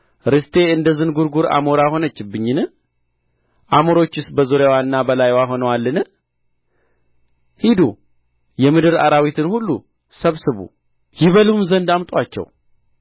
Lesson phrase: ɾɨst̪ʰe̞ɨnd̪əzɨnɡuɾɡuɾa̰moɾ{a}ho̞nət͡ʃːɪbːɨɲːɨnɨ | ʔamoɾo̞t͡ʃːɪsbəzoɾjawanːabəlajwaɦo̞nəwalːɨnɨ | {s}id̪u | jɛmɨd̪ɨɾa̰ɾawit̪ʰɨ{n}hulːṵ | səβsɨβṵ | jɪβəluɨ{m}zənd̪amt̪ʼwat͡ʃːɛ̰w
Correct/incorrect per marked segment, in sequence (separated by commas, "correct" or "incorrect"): correct, incorrect, correct, correct